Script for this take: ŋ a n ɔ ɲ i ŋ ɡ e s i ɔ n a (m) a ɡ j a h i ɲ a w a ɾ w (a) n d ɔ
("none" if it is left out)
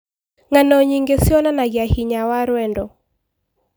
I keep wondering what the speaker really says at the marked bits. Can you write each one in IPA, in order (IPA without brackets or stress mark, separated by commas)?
n, ɛ